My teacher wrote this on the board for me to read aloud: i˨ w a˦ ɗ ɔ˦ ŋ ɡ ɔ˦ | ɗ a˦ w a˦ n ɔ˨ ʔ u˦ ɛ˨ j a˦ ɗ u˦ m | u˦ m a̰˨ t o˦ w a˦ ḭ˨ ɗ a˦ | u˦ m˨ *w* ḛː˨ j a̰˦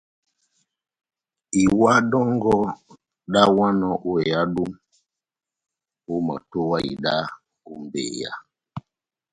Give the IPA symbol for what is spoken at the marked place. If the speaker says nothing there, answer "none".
b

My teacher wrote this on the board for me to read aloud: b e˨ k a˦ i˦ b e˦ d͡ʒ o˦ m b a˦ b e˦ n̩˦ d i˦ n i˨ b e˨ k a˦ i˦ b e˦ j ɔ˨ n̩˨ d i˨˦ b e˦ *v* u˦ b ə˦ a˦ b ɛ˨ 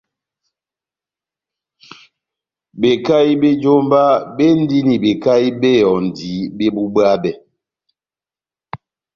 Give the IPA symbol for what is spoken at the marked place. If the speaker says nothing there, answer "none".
b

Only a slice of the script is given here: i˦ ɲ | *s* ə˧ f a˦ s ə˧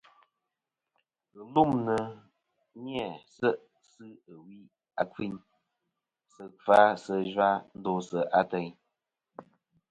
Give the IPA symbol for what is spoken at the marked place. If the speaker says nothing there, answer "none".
s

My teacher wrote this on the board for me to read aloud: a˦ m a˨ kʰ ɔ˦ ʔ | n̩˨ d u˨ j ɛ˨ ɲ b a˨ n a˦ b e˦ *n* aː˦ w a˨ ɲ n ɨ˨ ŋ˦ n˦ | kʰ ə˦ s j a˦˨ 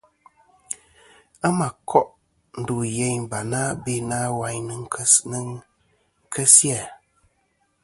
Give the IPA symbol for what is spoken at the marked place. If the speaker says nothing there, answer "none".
n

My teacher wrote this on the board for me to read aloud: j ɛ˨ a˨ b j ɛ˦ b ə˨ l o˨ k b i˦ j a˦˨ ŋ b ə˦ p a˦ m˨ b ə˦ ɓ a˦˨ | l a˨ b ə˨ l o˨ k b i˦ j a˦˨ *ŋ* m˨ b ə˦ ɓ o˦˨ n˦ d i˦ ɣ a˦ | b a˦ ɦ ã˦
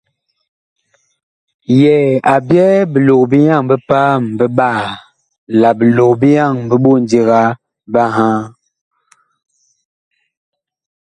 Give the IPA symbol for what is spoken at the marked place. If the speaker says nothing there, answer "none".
ŋ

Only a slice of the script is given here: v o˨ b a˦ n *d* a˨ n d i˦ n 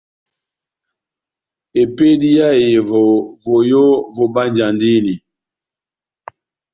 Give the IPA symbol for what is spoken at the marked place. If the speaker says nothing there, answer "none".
d͡ʒ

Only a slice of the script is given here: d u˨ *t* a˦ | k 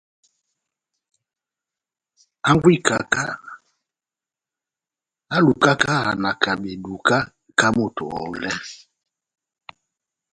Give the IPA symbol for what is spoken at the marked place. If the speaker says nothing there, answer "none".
k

